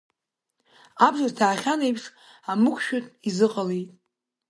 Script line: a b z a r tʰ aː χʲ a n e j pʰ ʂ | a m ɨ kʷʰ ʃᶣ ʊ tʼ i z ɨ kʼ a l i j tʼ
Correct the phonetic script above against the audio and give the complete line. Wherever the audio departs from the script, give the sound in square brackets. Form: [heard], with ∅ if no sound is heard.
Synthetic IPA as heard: a b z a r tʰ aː χʲ a n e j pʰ ʂ | a m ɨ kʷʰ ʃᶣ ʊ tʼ i z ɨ [qʼ] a l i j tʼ